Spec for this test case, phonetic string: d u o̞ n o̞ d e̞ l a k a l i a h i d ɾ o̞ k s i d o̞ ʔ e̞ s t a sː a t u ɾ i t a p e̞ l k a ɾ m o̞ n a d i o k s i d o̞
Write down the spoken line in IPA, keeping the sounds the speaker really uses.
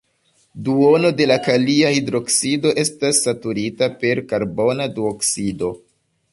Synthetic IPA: d u o̞ n o̞ d e̞ l a k a l i a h i d ɾ o̞ k s i d o̞ ʔ e̞ s t a sː a t u ɾ i t a p e̞ ɾ k a ɾ b o̞ n a d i o k s i d o̞

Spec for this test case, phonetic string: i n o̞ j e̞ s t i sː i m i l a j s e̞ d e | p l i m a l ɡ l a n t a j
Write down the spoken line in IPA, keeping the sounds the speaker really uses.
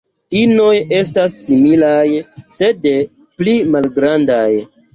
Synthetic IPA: i n o̞ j e̞ s t a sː i m i l a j s e̞ d e | p l i m a l ɡ ɾ a n d a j

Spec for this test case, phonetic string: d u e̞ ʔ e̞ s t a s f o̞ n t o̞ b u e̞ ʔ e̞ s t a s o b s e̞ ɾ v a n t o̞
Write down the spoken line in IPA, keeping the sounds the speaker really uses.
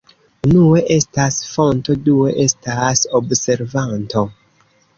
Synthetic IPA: n u e̞ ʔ e̞ s t a s f o̞ n t o̞ d u e̞ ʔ e̞ s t a s o b s e̞ ɾ v a n t o̞

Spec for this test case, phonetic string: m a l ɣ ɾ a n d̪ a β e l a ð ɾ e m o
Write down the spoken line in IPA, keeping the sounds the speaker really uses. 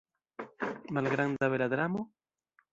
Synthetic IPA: m a l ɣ ɾ a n d̪ a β e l a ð ɾ a m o

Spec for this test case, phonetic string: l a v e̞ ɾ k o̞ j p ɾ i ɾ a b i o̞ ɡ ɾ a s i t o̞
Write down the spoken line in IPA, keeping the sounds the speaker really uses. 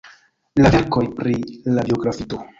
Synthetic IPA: l a v e̞ ɾ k o̞ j p ɾ i l a b i o̞ ɡ ɾ a f i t o̞

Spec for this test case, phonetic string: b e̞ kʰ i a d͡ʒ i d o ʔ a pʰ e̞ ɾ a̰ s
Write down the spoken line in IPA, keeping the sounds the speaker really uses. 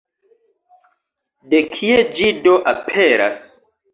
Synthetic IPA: d e̞ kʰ i e d͡ʒ i d o ʔ a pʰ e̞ ɾ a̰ s

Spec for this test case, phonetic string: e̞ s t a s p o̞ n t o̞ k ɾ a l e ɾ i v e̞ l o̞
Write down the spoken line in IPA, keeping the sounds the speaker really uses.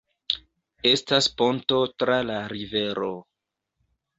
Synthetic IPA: e̞ s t a s p o̞ n t o̞ t ɾ a l a ɾ i v e̞ ɾ o̞

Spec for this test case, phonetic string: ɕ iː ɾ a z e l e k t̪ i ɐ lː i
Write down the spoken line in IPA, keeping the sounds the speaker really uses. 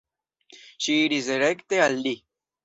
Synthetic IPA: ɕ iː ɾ i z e ɾ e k t̪ e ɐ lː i

